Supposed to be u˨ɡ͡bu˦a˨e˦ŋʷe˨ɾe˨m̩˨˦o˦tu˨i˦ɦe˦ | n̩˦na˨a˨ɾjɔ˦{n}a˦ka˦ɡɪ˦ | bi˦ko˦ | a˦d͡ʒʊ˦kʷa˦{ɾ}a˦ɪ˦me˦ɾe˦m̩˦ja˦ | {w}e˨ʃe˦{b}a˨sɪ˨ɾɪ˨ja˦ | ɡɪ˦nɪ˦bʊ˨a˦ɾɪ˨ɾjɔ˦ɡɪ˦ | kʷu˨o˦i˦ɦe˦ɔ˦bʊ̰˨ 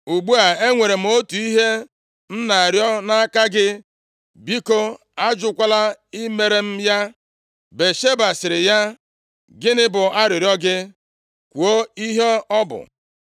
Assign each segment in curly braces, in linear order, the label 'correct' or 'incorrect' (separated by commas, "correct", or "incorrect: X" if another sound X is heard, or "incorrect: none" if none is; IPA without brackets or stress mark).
correct, incorrect: l, incorrect: b, correct